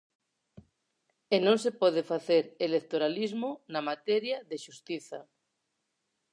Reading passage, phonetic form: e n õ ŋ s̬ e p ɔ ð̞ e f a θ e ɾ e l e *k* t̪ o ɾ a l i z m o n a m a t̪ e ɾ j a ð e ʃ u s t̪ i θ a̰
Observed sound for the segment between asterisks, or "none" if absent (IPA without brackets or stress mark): k